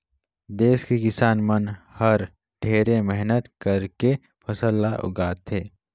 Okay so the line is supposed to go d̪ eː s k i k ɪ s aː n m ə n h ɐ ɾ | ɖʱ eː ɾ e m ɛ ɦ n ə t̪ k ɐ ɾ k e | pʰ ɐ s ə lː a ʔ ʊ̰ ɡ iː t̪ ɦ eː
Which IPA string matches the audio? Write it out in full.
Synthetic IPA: d̪ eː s k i k ɪ s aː n m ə n h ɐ ɾ | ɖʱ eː ɾ e m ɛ ɦ n ə t̪ k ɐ ɾ k e | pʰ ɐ s ə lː a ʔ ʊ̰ ɡ aː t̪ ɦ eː